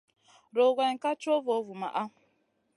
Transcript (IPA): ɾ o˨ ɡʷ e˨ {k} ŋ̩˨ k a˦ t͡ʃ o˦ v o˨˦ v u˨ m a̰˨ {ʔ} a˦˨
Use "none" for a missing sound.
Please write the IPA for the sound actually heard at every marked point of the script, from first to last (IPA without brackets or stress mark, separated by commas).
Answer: none, ʔ